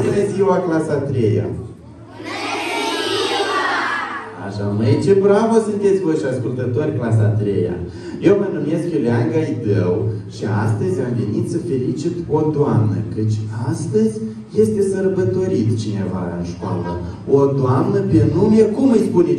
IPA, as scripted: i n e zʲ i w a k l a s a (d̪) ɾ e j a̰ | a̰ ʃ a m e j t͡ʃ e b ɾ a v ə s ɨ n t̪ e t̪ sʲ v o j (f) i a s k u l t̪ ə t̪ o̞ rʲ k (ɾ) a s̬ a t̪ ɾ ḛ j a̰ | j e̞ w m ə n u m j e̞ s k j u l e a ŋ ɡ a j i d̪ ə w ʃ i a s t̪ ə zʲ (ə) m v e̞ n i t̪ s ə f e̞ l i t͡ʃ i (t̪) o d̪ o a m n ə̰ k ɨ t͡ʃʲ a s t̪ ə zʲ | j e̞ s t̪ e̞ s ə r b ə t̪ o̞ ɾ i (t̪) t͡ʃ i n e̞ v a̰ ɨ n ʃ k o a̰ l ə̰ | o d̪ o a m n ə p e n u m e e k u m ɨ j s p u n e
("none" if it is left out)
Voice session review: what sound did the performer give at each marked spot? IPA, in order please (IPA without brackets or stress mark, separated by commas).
t̪, ʃ, l, a, t̪, t̪